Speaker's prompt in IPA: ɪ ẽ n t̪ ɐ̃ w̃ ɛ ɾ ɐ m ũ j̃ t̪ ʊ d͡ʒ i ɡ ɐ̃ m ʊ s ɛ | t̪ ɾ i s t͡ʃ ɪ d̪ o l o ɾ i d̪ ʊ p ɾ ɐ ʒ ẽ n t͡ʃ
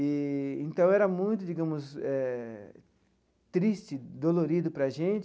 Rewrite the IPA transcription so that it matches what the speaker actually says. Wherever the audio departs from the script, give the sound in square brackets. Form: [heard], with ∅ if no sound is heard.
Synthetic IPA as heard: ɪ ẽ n t̪ ɐ̃ w̃ ɛ ɾ ɐ m ũ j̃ t̪ ʊ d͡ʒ i ɡ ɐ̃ m ʊ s ɛ | t̪ ɾ i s t͡ʃ ɪ d̪ o l o ɾ i d̪ ʊ p ɾ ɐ ʒ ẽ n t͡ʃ

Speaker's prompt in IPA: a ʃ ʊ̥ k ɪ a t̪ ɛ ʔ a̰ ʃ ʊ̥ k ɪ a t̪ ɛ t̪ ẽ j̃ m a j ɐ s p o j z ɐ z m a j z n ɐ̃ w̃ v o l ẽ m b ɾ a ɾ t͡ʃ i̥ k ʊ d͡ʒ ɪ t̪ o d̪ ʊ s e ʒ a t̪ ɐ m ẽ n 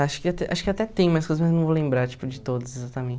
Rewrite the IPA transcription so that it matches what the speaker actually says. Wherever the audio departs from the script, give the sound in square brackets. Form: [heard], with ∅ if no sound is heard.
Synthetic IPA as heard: a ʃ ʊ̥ k ɪ a t̪ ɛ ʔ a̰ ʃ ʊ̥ k ɪ a t̪ ɛ t̪ ẽ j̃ m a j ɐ s [k] o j z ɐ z m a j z n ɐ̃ w̃ v o l ẽ m b ɾ a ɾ t͡ʃ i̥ [p] ʊ d͡ʒ ɪ t̪ o d̪ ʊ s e [z] a t̪ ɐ m ẽ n

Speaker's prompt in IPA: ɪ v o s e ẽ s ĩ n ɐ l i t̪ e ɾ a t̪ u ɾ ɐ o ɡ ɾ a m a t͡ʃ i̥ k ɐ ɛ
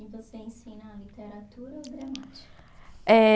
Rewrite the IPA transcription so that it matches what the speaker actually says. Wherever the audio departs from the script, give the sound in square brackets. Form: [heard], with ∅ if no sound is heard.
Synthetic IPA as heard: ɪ v o s e ẽ s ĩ n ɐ l i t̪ e ɾ a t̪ u ɾ ɐ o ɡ ɾ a m a t͡ʃ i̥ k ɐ ɛ

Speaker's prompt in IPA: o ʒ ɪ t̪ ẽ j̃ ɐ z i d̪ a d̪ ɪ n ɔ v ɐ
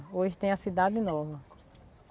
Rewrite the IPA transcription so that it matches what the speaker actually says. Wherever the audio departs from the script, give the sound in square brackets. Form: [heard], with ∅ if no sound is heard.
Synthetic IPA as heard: o ʒ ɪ t̪ ẽ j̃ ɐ [s] i d̪ a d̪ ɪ n ɔ v ɐ

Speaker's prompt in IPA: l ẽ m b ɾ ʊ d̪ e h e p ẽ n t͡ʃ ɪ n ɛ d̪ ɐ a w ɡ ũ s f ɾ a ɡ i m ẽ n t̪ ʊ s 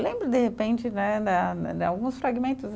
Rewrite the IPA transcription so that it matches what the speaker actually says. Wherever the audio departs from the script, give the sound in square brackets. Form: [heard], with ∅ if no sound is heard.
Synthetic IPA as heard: l ẽ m b ɾ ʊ d̪ e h e p ẽ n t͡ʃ ɪ n ɛ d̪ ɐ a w ɡ ũ s f ɾ a ɡ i m ẽ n t̪ ʊ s

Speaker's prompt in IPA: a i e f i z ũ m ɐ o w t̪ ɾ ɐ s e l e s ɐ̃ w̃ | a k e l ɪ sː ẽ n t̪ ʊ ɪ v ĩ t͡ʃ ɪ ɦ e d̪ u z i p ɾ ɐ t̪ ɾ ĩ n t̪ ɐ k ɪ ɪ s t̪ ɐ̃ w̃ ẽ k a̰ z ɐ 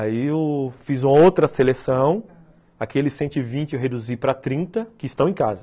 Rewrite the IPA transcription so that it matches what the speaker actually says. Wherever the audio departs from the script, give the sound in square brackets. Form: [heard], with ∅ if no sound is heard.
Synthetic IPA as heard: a i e f i z ũ m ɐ o w t̪ ɾ ɐ s e l e s ɐ̃ w̃ | a k e l ɪ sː ẽ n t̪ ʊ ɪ v ĩ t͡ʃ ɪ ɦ e d̪ u z i p ɾ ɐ t̪ ɾ ĩ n t̪ ɐ k ɪ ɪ s t̪ ɐ̃ w̃ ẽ k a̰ z ɐ

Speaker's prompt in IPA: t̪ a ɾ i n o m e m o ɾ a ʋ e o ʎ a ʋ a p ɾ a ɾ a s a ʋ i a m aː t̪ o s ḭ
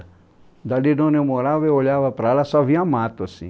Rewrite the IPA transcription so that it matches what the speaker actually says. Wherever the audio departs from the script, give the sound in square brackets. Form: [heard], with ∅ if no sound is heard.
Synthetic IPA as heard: [d̪] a [l] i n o [n] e m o ɾ a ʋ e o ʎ a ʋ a p ɾ a [l] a s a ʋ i a m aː t̪ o s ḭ

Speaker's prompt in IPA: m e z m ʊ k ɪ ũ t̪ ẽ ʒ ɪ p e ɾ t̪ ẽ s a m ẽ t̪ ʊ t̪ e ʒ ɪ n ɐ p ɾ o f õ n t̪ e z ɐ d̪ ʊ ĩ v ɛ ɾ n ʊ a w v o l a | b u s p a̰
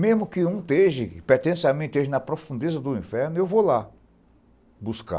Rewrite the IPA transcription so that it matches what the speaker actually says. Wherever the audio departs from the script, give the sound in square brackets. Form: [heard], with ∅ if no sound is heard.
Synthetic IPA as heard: m e z m ʊ k ɪ ũ t̪ [e] ʒ ɪ p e ɾ t̪ ẽ s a m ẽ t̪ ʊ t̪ e ʒ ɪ n ɐ p ɾ o f [ũ] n [d̪] e z ɐ d̪ ʊ ĩ [f] ɛ ɾ n ʊ [e] w v o l a | b u s [k] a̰

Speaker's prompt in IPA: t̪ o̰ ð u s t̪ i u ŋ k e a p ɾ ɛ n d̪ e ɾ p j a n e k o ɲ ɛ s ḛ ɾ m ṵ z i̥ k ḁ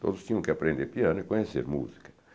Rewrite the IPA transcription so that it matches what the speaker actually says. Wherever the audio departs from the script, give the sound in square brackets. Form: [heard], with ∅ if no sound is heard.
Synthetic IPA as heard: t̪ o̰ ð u s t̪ i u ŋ k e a p ɾ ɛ n d̪ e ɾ p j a n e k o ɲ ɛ s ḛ ɾ m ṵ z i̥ k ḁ

